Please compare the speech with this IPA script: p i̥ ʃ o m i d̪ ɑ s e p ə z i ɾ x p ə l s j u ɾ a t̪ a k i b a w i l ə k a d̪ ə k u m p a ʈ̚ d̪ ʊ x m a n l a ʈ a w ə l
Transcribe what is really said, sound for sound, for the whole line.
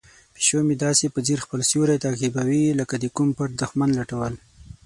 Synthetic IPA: p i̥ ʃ o m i d̪ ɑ s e p ə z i ɾ x p ə l s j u ɾ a t̪ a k i b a w i l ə k a d̪ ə k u m p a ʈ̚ d̪ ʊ x m a n l a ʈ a w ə l